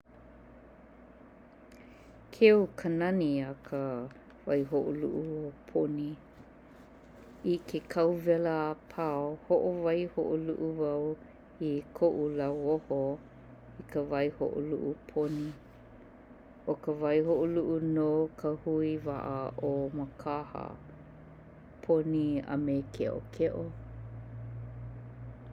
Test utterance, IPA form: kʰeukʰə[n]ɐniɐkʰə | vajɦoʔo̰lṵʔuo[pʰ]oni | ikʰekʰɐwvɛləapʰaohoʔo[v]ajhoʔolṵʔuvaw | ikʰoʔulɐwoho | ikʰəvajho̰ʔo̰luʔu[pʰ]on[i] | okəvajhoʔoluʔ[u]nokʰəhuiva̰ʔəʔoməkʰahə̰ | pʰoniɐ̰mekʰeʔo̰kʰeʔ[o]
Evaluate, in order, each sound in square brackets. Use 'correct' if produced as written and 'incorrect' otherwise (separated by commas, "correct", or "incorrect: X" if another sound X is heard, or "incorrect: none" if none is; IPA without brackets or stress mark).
correct, correct, correct, correct, correct, correct, correct